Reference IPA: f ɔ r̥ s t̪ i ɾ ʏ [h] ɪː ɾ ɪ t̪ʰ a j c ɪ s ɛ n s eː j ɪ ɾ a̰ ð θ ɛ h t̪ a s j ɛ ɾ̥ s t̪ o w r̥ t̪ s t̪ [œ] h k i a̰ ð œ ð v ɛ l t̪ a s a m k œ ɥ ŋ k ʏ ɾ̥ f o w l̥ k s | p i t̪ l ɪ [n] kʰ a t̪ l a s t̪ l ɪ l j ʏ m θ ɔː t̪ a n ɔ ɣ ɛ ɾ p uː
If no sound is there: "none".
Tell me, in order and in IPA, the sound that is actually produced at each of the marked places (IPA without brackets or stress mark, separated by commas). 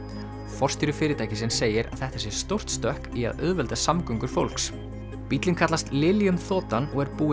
f, œ, n